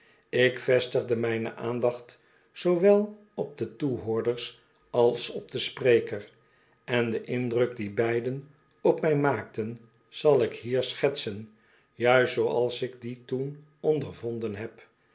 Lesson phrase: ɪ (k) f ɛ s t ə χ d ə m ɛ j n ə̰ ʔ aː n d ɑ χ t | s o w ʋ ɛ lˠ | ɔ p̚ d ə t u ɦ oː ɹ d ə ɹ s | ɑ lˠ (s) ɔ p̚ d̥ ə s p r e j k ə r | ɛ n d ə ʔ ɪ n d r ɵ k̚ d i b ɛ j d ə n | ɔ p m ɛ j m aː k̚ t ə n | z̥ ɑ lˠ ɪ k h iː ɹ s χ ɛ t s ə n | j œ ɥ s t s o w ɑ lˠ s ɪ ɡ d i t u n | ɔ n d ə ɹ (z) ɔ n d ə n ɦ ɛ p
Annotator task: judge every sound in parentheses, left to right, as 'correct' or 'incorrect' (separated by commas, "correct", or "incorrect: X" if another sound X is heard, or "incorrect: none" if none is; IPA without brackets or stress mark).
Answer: correct, correct, incorrect: v